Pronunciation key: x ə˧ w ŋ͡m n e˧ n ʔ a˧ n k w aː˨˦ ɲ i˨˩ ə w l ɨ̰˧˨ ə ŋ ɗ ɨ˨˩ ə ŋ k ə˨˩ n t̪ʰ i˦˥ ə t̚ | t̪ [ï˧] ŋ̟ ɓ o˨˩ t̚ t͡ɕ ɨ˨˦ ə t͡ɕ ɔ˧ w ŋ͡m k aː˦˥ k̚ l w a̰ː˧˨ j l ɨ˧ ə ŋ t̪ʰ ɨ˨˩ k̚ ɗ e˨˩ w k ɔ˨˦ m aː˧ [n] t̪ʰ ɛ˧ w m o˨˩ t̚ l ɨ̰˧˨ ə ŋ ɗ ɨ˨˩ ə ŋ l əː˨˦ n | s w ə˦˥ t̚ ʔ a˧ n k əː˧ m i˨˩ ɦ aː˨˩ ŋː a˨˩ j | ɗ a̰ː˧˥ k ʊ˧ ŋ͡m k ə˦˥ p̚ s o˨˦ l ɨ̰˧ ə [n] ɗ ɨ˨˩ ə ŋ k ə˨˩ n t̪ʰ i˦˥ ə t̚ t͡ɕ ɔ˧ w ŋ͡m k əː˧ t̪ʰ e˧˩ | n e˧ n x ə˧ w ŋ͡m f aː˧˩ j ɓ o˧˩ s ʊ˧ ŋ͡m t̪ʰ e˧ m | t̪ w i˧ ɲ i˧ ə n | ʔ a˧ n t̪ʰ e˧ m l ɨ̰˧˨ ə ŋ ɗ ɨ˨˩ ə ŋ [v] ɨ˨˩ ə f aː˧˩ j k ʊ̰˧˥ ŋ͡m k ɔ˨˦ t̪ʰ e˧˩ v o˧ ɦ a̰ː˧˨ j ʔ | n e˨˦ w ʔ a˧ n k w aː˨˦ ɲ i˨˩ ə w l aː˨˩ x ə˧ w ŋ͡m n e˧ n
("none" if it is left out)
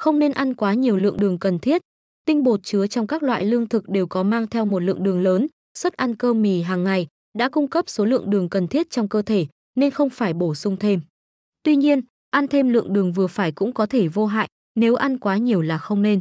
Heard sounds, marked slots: ï˧, ŋ, ŋ, v

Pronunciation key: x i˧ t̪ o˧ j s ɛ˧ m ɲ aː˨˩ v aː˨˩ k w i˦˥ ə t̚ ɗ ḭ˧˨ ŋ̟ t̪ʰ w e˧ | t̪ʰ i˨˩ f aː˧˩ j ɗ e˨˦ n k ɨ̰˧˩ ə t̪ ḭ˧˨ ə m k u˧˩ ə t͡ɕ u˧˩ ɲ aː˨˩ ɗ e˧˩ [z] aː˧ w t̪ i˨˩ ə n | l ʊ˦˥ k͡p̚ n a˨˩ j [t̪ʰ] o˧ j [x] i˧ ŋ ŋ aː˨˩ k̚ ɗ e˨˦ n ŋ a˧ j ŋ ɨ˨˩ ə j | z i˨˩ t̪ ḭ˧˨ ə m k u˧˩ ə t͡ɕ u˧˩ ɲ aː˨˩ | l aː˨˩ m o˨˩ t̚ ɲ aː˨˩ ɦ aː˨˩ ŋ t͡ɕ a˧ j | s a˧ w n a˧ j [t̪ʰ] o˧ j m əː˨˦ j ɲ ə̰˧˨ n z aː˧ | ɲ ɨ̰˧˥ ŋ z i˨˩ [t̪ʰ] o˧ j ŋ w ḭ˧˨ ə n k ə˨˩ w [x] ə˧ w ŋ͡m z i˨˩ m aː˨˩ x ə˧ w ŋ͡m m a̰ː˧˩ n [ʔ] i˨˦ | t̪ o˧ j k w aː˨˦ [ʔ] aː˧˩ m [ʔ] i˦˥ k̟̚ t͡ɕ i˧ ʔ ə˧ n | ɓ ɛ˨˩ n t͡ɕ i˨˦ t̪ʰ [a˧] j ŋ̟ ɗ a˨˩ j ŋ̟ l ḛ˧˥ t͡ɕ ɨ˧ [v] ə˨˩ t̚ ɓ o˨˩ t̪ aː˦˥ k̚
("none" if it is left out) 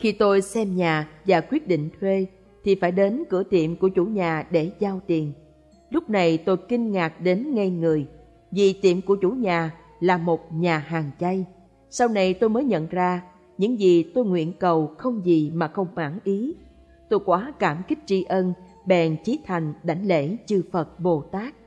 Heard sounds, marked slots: z, t̪, k, t̪, t̪, x, ʔ, k, k, a˨˩, f

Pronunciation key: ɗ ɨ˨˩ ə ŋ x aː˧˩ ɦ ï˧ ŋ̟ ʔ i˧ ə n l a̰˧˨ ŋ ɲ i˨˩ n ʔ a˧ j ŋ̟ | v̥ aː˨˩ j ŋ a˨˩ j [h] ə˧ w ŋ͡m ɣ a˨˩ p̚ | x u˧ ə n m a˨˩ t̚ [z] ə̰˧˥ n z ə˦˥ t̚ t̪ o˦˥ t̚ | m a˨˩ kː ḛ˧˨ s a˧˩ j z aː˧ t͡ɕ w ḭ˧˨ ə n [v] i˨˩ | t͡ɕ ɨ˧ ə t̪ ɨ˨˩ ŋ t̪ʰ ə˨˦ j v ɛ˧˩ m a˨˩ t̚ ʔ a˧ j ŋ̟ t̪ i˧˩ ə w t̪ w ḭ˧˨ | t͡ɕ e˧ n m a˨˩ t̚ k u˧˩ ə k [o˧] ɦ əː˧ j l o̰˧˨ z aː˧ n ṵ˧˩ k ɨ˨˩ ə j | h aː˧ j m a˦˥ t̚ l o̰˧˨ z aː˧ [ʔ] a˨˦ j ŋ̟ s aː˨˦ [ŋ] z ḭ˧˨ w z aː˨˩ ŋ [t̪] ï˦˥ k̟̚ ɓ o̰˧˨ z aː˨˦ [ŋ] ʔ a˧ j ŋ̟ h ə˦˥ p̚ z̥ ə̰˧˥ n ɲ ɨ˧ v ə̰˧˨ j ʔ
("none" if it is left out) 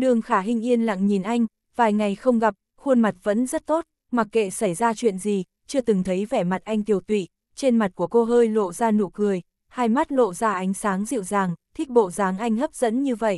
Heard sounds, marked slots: x, v, z, o˧, ʔ, ŋ, t̪ʰ, ŋ

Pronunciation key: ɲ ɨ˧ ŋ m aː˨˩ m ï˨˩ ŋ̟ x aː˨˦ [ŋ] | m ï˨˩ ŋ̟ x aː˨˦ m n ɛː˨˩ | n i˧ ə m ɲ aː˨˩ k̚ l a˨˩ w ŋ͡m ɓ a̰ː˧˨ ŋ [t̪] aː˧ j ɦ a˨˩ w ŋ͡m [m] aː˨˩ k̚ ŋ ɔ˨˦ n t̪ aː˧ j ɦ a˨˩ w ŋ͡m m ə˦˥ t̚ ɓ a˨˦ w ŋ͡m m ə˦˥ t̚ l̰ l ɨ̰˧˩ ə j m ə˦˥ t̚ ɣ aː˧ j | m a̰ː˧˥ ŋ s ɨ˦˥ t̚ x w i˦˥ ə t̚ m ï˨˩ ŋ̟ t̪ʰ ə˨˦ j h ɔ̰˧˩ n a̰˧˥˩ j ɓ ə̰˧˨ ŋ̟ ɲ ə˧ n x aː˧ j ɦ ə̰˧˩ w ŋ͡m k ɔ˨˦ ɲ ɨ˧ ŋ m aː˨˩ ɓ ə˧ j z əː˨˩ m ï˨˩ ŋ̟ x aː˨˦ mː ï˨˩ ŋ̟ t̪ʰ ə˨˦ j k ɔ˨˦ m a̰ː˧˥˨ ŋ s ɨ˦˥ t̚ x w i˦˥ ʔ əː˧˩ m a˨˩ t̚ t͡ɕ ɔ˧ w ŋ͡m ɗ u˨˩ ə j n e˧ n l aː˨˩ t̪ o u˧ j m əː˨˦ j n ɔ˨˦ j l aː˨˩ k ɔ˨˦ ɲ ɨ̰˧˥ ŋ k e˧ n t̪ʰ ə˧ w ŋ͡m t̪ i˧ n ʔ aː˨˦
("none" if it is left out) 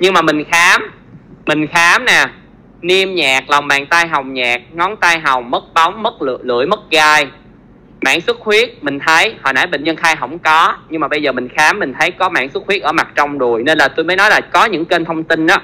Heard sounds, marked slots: m, t̪, ɲ

